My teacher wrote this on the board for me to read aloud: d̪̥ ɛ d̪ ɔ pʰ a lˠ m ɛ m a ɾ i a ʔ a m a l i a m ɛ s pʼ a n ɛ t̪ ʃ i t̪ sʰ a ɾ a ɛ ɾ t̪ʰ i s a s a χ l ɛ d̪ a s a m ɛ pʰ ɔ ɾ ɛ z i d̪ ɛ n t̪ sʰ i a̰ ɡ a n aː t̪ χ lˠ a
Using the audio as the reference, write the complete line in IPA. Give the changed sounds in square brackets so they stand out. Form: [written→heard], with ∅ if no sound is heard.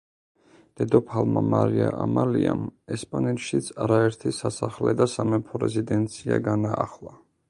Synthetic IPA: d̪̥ ɛ d̪ ɔ pʰ a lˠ m [ɛ→a] m a ɾ i a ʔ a m a l i a m ɛ s pʼ a n ɛ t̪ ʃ i t̪ sʰ a ɾ a ɛ ɾ t̪ʰ i s a s a χ l ɛ d̪ a s a m ɛ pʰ ɔ ɾ ɛ z i d̪ ɛ n t̪ sʰ i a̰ ɡ a n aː [t̪→∅] χ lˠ a